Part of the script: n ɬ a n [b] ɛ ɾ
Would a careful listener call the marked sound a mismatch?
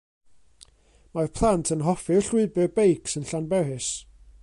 no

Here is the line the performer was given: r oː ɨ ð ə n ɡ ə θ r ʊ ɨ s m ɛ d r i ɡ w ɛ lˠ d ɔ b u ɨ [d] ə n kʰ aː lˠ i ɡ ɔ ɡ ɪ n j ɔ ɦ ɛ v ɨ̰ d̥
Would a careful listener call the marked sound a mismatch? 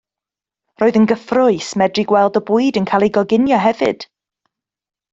no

